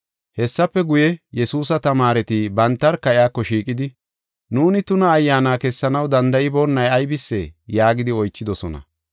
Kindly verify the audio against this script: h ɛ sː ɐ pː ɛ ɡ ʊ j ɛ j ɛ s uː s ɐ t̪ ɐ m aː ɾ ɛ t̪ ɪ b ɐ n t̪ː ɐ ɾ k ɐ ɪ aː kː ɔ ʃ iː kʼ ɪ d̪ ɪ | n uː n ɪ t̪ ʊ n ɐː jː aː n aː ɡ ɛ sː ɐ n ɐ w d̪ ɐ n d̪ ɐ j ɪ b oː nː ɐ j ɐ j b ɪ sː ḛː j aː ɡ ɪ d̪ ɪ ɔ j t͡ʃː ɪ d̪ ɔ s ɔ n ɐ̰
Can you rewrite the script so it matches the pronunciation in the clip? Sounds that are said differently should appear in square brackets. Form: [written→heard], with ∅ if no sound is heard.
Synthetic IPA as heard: h ɛ sː ɐ pː ɛ ɡ ʊ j ɛ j ɛ s uː s ɐ t̪ ɐ m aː ɾ ɛ t̪ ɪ b ɐ n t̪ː ɐ ɾ k ɐ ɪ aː kː ɔ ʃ iː kʼ ɪ d̪ ɪ | n uː n ɪ t̪ ʊ n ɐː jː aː n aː [ɡ→k] ɛ sː ɐ n ɐ w d̪ ɐ n d̪ ɐ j ɪ b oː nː ɐ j ɐ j b ɪ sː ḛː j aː ɡ ɪ d̪ ɪ ɔ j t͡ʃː ɪ d̪ ɔ s ɔ n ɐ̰